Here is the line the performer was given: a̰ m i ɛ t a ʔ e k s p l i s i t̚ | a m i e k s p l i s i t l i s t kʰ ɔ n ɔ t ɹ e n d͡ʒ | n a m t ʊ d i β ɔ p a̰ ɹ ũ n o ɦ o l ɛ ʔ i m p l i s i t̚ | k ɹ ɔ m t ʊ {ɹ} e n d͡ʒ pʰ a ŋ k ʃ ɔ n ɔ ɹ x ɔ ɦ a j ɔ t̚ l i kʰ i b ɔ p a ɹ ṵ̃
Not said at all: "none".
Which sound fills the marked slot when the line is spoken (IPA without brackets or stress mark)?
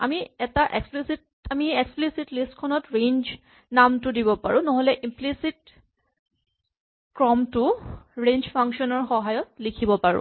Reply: ɹ